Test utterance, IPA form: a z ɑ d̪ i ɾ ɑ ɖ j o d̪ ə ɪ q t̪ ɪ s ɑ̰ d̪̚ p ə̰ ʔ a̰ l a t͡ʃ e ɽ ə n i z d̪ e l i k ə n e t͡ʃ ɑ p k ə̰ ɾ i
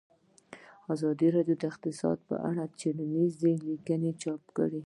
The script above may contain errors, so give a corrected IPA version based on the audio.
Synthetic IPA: a z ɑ d̪ i ɾ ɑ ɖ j o d̪ ə ɪ q t̪ ɪ s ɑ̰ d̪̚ p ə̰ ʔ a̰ ɽ a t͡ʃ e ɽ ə n i z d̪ e l i k ə n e t͡ʃ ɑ p k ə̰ ɽ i